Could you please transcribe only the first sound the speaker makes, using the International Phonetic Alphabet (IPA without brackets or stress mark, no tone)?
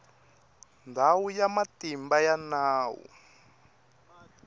n